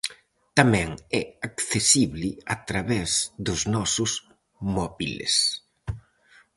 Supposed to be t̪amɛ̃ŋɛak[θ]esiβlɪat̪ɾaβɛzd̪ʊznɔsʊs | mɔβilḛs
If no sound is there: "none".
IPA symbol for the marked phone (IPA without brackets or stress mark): θ